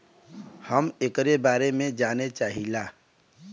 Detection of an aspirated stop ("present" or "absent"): absent